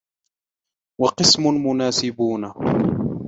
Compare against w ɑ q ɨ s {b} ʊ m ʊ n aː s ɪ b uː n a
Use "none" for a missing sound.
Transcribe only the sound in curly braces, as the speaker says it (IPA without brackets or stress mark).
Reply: m